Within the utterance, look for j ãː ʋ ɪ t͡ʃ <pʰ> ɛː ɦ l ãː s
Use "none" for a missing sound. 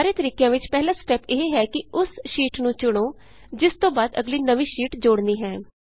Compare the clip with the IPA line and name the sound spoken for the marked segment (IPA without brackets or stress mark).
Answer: p